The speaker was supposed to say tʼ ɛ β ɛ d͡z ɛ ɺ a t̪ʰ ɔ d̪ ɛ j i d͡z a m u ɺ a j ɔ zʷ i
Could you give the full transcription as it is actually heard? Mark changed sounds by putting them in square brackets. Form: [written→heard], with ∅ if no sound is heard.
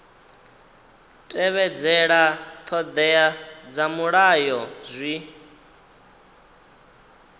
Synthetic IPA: tʼ ɛ β ɛ d͡z ɛ ɺ a t̪ʰ ɔ d̪ ɛ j [i→a] d͡z a m u ɺ a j ɔ zʷ i